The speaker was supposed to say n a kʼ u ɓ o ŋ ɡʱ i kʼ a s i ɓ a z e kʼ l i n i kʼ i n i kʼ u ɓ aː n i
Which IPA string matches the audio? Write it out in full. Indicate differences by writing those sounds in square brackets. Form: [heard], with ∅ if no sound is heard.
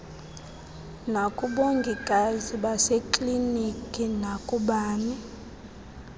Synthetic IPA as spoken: n a kʼ u ɓ o ŋ ɡʱ i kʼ a [z] i ɓ a [s] e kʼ l i n i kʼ i n [a] kʼ u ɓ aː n i